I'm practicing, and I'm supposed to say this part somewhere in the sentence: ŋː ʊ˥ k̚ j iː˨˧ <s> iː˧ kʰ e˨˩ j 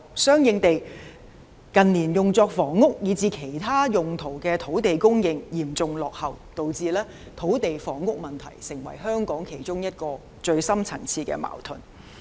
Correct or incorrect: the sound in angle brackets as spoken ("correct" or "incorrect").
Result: incorrect